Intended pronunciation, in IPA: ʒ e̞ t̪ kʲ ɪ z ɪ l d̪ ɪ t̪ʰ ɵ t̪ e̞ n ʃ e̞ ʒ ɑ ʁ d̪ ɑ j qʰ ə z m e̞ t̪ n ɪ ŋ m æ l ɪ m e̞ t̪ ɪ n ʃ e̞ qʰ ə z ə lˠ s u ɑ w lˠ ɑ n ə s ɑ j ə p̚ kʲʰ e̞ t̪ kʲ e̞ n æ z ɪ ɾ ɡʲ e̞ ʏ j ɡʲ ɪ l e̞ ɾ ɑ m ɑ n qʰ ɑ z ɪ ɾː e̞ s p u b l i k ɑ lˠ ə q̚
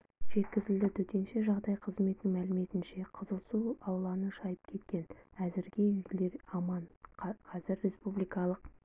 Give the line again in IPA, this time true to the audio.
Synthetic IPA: ʒ e̞ t̪ kʲ ɪ z ɪ l d̪ ɪ t̪ʰ ɵ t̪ e̞ n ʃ e̞ ʒ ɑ ʁ d̪ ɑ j qʰ ə z m e̞ t̪ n ɪ ŋ m æ l ɪ m e̞ t̪ ɪ n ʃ e̞ qʰ ə z ə lˠ s u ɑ w lˠ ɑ n ə ʃ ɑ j ə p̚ kʲʰ e̞ t̪ kʲ e̞ n æ z ɪ ɾ ɡʲ e̞ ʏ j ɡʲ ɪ l e̞ ɾ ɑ m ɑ n qʰ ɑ z ɪ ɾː e̞ s p u b l i k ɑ lˠ ə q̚

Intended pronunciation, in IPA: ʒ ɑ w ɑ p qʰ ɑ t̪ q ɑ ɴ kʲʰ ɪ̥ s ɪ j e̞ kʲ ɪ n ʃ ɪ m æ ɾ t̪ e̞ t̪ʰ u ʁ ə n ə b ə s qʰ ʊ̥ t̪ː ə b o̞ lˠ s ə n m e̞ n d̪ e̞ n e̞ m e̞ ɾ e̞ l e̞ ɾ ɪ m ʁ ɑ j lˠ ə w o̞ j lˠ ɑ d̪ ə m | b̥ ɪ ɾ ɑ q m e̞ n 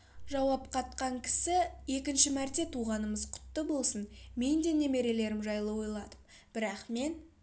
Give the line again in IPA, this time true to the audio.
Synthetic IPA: ʒ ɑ w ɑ p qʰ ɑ t̪ q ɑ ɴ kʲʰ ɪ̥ s ɪ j e̞ kʲ ɪ n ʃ ɪ m æ ɾ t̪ e̞ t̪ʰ u ʁ ɑ n ə m ə z qʰ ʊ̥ t̪ː ə b o̞ lˠ s ə n m e̞ n d̪ e̞ n e̞ m e̞ ɾ e̞ l e̞ ɾ ɪ m ʒ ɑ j lˠ ə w o̞ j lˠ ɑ d̪ ə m | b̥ ɪ ɾ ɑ q m e̞ n

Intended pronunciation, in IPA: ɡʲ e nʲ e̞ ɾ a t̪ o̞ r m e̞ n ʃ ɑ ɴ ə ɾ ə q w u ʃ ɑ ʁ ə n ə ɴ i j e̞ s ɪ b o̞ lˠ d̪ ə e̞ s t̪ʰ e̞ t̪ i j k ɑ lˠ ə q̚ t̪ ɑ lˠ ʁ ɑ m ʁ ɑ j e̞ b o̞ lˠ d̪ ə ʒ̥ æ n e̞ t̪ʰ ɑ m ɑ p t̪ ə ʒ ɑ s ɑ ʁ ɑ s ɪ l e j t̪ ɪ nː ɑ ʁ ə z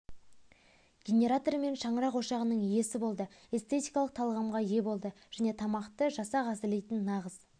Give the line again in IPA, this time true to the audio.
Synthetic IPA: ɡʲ e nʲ e̞ ɾ a t̪ o̞ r m e̞ n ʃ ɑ ɴ ə ɾ ɑ q w o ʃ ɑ ʁ ə n ə ɴ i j e̞ s ɪ b o̞ lˠ d̪ ə e̞ s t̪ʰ e̞ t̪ i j k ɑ lˠ ə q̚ t̪ʰ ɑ lˠ ʁ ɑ m ʁ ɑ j e̞ b o̞ lˠ d̪ ə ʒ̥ æ n e̞ t̪ʰ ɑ m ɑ q t̪ ə ʒ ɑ s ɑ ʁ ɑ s ɪ l e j t̪ ɪ nː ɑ ʁ ə z

